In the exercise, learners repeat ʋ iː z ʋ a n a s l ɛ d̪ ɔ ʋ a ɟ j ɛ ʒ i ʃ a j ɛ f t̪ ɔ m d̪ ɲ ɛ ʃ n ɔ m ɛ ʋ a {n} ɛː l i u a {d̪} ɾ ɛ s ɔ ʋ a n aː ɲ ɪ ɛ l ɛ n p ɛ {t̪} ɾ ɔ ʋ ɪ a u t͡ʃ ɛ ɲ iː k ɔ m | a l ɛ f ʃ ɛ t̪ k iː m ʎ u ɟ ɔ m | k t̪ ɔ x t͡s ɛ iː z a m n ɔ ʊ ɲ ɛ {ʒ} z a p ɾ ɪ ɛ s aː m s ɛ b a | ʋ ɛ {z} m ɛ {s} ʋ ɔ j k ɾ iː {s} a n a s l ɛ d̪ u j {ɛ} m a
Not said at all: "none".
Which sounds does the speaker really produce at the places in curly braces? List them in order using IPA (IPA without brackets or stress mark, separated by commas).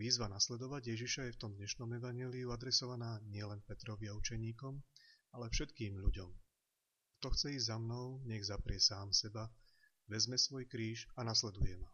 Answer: ɲ, d̪, t̪, ɣ, z, s, ʃ, ɛ